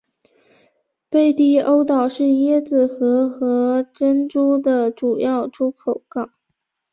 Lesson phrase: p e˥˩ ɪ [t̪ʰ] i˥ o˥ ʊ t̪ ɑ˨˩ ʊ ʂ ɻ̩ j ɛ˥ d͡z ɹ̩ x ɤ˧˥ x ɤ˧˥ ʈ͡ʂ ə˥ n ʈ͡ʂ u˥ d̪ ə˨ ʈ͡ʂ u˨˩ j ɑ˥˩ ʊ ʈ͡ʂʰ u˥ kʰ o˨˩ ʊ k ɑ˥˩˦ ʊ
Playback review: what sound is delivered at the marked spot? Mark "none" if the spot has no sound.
t̪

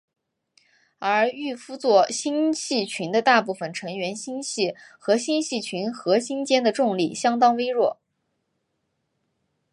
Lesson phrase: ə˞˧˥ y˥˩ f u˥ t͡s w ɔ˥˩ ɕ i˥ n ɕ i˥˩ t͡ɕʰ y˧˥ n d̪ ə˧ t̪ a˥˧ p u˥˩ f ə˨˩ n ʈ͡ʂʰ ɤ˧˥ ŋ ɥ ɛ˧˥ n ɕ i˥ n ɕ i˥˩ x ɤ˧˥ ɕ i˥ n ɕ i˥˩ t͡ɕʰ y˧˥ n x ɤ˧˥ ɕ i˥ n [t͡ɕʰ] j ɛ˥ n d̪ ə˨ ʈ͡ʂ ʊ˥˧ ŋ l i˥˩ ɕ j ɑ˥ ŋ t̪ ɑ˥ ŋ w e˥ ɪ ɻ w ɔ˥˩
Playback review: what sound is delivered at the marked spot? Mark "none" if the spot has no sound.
t͡ɕ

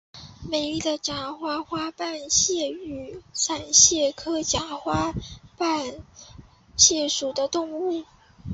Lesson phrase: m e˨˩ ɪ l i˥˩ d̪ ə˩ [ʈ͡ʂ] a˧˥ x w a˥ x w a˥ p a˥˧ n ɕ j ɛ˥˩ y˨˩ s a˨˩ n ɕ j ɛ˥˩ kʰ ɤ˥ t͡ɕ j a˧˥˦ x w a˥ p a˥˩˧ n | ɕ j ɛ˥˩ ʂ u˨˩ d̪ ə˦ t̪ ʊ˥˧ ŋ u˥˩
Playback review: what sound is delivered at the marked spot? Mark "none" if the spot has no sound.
ʈ͡ʂ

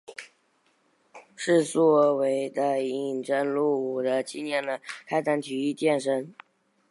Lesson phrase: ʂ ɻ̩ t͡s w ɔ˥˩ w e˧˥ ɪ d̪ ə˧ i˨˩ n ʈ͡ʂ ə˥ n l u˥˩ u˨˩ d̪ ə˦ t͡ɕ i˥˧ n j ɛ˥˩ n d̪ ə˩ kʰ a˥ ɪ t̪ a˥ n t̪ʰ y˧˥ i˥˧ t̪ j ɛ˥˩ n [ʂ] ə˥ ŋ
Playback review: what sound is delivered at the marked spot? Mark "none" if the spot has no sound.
ʂ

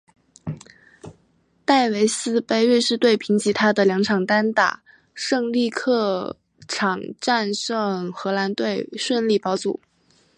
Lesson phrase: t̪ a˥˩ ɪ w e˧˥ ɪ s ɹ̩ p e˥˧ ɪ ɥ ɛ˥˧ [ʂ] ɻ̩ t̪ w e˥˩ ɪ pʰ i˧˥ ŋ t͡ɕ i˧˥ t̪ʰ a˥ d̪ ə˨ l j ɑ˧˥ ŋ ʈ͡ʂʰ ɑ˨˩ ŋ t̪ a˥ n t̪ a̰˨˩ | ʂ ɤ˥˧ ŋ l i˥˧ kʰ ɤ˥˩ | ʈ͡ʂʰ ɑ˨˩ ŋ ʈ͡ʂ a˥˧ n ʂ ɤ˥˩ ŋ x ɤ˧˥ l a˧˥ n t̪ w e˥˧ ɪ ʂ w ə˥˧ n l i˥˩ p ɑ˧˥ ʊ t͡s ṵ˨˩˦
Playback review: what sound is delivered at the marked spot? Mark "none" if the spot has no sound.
ʂ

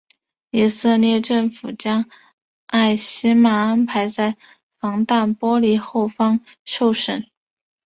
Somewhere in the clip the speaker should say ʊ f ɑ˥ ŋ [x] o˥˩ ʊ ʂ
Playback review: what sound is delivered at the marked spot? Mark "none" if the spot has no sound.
ʂ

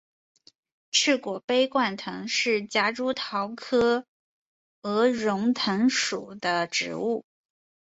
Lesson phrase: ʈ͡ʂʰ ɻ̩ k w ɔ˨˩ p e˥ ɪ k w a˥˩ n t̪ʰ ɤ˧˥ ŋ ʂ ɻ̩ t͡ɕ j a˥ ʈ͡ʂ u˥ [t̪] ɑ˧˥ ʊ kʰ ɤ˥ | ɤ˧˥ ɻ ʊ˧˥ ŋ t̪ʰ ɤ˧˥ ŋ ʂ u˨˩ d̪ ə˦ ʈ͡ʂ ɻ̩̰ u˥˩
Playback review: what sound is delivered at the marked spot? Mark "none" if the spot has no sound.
t̪ʰ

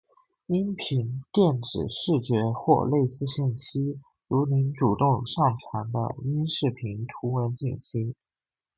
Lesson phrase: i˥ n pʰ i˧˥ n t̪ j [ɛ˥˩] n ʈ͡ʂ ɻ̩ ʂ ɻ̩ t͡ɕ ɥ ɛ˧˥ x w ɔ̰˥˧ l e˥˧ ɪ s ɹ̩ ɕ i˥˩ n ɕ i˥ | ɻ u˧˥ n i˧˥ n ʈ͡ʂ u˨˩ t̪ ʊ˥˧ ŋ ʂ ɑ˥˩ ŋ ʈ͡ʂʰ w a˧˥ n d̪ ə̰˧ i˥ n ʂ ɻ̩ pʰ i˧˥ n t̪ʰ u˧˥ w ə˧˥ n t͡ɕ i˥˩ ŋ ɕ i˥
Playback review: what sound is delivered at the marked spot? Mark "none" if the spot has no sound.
ɛ˥˩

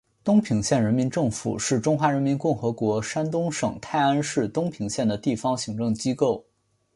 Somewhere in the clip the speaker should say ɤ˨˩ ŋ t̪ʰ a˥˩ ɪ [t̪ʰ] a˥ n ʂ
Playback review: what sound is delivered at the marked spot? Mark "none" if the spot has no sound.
none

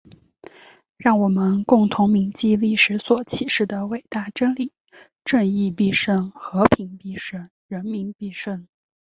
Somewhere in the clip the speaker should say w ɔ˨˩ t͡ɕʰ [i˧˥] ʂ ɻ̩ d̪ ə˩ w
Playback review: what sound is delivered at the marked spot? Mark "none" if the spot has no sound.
i˨˩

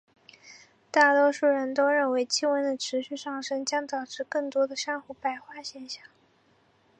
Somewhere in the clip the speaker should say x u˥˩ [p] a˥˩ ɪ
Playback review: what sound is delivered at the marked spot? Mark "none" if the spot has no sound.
p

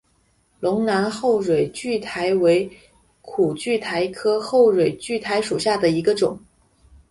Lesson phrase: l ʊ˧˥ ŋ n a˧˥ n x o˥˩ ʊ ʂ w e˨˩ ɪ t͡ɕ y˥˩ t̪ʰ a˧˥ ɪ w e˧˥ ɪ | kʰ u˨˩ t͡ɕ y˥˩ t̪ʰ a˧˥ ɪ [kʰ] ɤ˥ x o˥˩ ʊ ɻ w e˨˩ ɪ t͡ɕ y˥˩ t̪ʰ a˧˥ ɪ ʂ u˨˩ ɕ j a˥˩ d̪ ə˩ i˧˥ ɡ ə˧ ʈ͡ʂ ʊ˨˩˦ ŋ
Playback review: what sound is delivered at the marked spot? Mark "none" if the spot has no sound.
kʰ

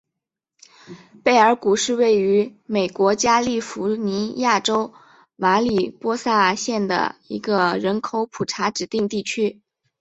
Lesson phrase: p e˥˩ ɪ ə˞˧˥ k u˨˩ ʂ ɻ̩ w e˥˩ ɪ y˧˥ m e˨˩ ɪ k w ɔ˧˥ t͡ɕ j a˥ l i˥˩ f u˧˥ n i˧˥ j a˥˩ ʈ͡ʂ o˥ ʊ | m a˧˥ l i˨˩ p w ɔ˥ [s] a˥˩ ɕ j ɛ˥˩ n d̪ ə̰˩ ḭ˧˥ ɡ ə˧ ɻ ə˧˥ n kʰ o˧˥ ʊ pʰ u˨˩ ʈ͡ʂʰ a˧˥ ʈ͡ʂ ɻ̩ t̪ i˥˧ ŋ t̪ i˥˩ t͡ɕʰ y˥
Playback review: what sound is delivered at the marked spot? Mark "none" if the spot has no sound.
s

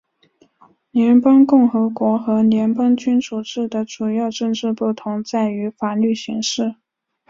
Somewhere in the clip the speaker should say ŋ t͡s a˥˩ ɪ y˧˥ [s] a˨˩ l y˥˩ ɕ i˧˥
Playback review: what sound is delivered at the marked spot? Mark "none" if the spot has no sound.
f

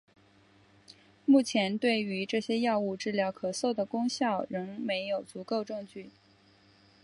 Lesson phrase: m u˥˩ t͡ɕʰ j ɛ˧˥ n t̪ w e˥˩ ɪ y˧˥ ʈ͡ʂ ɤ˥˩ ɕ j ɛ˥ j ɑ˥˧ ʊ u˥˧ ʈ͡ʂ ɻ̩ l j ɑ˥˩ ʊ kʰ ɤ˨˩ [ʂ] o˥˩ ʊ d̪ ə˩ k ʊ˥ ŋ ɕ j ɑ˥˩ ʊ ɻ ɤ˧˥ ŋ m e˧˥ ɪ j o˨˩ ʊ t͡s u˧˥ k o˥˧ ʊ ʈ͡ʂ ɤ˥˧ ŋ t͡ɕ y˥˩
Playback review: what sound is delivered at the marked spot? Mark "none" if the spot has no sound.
s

